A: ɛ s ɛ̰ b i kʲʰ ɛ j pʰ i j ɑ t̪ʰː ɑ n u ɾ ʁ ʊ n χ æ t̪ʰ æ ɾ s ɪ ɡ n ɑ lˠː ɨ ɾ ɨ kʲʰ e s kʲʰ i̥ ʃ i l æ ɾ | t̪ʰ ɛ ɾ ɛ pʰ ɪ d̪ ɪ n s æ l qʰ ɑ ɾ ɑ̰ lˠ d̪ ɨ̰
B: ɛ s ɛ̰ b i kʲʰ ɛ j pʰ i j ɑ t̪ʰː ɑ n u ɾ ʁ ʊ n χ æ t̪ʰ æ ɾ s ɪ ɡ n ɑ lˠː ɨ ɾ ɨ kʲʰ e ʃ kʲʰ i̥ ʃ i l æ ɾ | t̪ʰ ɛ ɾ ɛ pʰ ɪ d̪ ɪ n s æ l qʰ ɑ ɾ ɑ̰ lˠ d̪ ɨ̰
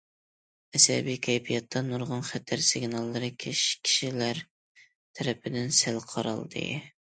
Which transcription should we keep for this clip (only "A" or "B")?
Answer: B